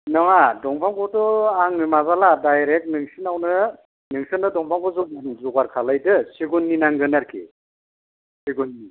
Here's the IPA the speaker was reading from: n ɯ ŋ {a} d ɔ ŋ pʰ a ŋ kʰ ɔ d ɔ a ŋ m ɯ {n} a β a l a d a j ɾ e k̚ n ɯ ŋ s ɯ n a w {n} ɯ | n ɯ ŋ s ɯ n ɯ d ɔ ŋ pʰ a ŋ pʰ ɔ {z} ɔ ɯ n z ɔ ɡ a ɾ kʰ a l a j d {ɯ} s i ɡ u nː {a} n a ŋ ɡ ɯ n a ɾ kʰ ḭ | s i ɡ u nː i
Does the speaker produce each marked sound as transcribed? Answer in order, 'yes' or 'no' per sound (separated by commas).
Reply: yes, no, yes, yes, yes, no